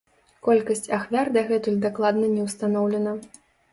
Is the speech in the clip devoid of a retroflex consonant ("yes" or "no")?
yes